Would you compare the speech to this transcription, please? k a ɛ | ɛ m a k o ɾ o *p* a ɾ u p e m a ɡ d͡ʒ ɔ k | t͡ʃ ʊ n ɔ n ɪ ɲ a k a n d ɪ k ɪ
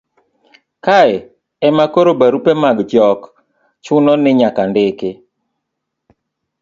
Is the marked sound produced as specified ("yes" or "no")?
no